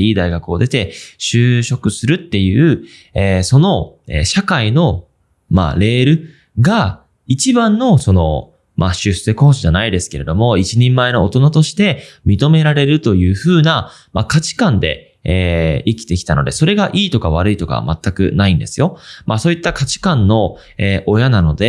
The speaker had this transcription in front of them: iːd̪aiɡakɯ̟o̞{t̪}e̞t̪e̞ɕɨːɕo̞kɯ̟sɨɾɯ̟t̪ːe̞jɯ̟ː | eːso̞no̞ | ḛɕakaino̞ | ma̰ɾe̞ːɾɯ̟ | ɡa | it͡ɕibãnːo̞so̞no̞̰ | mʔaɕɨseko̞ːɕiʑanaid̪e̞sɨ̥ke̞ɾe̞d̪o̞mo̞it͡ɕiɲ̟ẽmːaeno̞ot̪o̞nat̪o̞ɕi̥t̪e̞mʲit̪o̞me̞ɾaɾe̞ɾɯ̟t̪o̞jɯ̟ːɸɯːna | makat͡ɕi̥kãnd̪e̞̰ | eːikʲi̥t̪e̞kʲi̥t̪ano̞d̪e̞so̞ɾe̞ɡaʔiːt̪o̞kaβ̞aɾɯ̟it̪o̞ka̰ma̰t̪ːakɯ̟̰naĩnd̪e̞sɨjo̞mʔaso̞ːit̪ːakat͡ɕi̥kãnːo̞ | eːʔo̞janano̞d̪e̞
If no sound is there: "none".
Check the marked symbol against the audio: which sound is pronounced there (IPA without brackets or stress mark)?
d̪